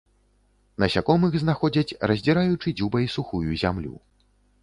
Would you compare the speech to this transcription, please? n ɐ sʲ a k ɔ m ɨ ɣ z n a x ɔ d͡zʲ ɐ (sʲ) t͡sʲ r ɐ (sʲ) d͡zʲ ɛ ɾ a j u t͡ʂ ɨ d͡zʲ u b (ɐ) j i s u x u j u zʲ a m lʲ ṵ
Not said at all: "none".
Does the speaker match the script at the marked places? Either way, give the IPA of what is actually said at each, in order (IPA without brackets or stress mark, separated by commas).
none, zʲ, ɐ